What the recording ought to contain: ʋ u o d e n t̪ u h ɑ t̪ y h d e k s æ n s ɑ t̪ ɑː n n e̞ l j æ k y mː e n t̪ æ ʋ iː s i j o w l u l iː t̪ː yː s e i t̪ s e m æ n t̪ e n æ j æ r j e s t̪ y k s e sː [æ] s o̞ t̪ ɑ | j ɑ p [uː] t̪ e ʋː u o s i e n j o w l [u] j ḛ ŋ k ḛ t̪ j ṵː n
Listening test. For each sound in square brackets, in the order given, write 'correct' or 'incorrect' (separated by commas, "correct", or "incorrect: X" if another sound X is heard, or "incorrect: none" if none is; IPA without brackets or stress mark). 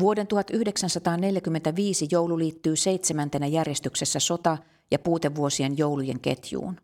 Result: correct, correct, correct